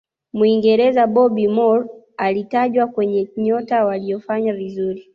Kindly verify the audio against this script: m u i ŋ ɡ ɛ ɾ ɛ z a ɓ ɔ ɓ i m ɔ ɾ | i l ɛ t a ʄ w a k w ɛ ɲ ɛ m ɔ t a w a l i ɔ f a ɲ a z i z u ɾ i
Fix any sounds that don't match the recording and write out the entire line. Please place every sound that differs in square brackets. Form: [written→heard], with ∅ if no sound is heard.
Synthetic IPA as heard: m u i ŋ ɡ ɛ ɾ ɛ z a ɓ ɔ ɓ i m ɔ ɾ | [i→a] l [ɛ→i] t a ʄ w a k w ɛ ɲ ɛ [m→ɲ] ɔ t a w a l i ɔ f a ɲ a [z→v] i z u ɾ i